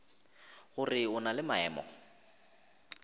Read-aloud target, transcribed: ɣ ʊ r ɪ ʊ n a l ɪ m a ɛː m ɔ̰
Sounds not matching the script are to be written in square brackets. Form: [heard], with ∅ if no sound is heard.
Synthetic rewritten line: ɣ ʊ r ɪ ʊ n a l ɪ m a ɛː m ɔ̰